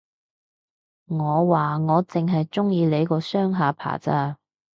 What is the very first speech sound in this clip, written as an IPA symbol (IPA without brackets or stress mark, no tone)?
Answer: ŋ